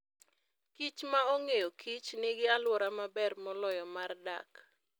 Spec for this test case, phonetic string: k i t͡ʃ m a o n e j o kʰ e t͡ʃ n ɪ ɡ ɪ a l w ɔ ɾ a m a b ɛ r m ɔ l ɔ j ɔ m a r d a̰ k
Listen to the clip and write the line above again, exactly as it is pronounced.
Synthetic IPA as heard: k i t͡ʃ m a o ŋ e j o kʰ i t͡ʃ n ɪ ɡ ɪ a l w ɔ ɾ a m a b ɛ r m ɔ l ɔ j ɔ m a r d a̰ k